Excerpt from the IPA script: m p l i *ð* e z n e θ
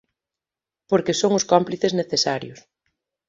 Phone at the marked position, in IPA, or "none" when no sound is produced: θ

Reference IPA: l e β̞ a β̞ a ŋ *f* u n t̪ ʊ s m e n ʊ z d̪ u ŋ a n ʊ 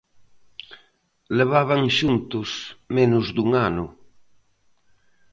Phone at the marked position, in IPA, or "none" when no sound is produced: ʃ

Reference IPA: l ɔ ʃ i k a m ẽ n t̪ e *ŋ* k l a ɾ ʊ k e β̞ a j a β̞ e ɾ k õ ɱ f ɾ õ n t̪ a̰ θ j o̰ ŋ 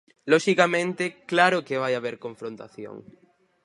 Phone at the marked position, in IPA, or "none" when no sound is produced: none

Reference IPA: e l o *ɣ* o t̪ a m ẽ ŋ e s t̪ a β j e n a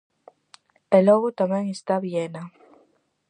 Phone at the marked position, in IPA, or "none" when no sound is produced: ɣ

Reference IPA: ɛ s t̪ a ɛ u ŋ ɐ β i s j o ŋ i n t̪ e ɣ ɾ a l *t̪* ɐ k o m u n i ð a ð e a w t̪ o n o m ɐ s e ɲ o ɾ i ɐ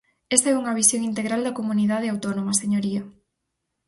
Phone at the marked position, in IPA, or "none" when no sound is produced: d̪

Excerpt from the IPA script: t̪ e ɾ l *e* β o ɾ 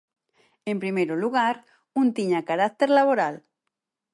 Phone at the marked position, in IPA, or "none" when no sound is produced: a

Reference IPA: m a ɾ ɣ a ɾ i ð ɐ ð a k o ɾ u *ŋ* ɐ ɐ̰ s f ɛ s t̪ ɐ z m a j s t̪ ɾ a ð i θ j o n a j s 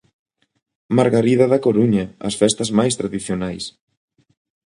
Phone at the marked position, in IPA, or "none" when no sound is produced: ɲ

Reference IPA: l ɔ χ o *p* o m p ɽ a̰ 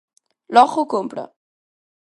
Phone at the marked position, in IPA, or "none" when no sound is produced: k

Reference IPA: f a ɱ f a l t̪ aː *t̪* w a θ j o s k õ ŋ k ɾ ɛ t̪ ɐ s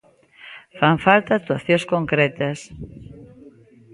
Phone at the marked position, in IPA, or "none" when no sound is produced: t̪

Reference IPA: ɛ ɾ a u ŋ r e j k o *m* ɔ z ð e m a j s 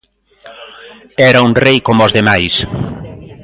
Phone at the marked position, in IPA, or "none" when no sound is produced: m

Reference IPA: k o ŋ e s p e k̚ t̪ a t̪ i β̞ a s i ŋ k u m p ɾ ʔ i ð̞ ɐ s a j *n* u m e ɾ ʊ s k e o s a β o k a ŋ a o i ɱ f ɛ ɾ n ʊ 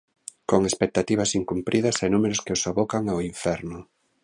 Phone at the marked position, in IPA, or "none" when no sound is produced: n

